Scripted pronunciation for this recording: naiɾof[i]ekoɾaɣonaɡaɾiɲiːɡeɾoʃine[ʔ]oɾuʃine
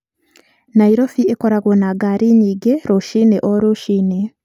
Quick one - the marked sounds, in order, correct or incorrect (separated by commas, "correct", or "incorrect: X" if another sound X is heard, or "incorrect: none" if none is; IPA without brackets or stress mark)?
correct, correct